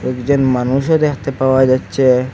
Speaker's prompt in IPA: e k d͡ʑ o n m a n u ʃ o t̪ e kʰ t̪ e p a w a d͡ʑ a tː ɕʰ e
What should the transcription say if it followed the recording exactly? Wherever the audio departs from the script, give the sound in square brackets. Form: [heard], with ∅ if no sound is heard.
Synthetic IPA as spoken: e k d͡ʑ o n m a n u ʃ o [d̪] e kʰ t̪ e p a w a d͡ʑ a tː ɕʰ e